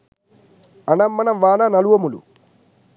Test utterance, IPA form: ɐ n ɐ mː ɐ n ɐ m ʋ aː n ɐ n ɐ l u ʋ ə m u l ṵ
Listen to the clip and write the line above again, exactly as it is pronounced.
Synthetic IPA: ɐ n ɐ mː ɐ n ɐ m ʋ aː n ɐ n ɐ l u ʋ ɐ m u l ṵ

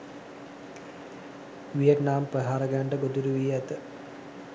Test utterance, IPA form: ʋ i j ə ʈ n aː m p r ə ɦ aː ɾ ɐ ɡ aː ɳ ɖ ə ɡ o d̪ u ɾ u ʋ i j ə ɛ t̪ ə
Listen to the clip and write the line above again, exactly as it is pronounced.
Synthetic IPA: ʋ i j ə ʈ n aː m p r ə ɦ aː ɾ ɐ ɡ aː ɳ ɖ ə ɡ o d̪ u ɾ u ʋ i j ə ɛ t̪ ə

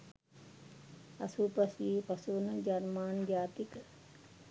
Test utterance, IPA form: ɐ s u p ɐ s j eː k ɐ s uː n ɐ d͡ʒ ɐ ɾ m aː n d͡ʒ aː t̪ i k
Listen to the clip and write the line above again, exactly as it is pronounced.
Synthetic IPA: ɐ s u p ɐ s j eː p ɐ s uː n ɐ d͡ʒ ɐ ɾ m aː n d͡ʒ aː t̪ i k

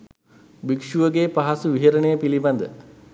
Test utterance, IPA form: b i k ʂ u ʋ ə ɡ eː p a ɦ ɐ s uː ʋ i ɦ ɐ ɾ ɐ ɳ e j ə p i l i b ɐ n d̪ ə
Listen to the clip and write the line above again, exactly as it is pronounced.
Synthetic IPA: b i k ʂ u ʋ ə ɡ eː p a ɦ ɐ s u ʋ i ɦ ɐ ɾ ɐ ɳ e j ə p i l i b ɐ n d̪ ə

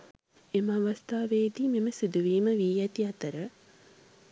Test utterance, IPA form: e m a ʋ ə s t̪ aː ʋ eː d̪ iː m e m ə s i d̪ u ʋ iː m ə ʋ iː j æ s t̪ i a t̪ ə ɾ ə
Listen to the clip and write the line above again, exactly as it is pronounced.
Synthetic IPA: e m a ʋ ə s t̪ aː ʋ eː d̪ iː m e m ə s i d̪ u ʋ iː m ə ʋ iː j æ t̪ i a t̪ ə ɾ ə

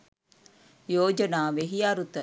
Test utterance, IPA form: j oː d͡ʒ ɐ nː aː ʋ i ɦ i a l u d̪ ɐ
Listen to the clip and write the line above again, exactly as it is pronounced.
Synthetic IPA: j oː d͡ʒ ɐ n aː ʋ e ɦ i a ɾ u t̪ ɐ

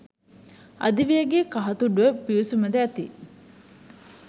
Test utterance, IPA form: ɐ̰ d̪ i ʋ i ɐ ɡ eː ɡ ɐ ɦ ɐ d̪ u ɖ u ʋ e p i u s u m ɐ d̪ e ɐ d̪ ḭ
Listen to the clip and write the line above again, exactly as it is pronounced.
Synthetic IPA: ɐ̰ d̪ i ʋ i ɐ ɡ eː k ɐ ɦ ɐ t̪ u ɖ u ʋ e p i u s u m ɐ d̪ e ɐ t̪ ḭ

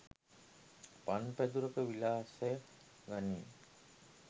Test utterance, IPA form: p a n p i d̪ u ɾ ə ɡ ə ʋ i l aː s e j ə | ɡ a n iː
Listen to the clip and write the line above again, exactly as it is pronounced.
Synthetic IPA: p a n p æ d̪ u ɾ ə k ə ʋ i l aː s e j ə | ɡ a n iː

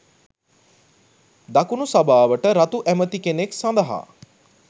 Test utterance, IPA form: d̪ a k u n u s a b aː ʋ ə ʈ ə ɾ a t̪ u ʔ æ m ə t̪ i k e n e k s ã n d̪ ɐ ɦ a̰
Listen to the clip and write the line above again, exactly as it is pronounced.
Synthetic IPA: d̪ a k u n u s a b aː ʋ ə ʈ ə ɾ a t̪ u ʔ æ m ə t̪ i k e n e k s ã n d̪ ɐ ɦ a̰

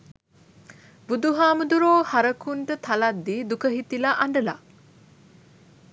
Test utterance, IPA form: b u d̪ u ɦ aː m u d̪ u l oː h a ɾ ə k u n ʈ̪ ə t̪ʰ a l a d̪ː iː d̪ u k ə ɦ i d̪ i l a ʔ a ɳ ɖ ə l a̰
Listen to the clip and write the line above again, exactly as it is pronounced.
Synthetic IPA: b u d̪ u ɦ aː m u d̪ u ɾ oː h a ɾ ə k u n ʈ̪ ə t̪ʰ a l a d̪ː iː d̪ u k ə ɦ i t̪ i l a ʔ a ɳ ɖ ə l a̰

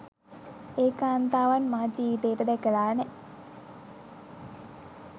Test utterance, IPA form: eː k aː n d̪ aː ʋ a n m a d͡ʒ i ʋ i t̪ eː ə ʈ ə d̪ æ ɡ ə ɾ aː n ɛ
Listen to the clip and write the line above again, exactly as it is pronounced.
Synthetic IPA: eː k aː n t̪ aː ʋ a n m a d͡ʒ iː ʋ i t̪ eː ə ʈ ə d̪ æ k ə l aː n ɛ

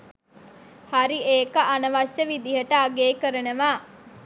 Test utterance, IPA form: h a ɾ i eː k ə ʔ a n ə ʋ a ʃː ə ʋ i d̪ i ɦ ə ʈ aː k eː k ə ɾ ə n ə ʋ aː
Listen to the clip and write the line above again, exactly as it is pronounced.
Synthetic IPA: h a ɾ i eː k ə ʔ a n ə ʋ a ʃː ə ʋ i d̪ i ɦ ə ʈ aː ɡ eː k ə ɾ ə n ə ʋ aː

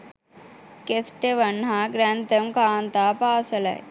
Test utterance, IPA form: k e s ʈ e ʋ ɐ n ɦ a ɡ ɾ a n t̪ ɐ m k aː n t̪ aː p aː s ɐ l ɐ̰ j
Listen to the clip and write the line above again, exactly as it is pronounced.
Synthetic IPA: k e s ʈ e ʋ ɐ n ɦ a ɡ ɾ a n t̪ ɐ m k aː n t̪ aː p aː s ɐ l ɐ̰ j

